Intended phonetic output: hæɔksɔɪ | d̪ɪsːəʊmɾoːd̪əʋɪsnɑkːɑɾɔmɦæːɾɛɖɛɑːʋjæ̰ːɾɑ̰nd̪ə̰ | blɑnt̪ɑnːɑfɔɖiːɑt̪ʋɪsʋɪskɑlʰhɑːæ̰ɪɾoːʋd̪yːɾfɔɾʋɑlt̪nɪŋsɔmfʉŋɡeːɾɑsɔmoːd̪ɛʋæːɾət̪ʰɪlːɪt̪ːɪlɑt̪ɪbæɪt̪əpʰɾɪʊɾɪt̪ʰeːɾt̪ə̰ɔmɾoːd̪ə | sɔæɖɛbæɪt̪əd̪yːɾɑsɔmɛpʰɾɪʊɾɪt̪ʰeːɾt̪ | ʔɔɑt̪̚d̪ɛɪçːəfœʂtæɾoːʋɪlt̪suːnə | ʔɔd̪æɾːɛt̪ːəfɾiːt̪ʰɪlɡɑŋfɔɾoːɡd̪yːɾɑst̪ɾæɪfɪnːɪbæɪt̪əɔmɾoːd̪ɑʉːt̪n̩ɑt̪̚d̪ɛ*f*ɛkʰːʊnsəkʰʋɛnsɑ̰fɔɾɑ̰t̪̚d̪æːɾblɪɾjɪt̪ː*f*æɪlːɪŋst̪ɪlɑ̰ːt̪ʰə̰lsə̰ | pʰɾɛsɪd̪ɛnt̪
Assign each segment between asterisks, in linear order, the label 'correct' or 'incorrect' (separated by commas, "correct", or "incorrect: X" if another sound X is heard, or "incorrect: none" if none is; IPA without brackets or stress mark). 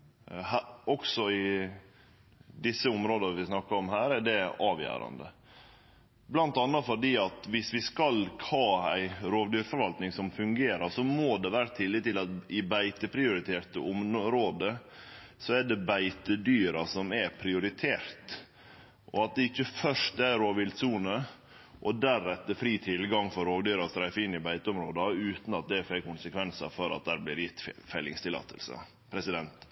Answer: correct, correct